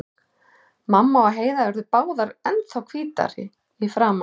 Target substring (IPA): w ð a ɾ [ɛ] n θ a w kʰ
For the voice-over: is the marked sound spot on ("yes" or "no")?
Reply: yes